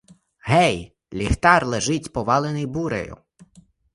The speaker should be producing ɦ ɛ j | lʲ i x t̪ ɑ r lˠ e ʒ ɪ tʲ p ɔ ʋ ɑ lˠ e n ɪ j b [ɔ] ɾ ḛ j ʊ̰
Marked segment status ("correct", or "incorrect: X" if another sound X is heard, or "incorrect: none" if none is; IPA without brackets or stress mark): incorrect: u